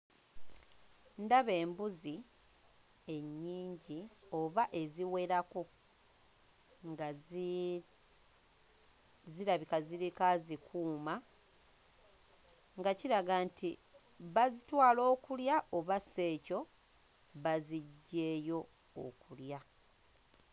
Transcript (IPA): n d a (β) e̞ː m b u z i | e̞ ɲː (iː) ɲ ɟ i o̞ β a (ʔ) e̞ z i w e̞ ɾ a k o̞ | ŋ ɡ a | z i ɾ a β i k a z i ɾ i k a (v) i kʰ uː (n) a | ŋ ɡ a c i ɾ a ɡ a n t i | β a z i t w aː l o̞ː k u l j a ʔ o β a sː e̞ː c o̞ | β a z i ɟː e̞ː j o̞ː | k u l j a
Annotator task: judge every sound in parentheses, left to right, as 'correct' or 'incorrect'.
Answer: correct, correct, correct, incorrect, incorrect

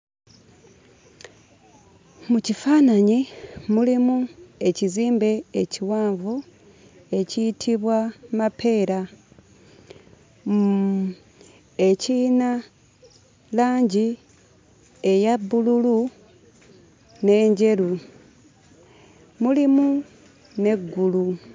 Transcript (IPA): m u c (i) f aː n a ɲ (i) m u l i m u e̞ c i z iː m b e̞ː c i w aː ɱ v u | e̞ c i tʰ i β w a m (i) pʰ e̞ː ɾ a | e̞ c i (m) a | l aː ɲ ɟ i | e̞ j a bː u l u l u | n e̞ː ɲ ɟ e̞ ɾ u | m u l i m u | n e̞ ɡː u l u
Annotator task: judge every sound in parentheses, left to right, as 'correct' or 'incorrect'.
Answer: correct, correct, incorrect, incorrect

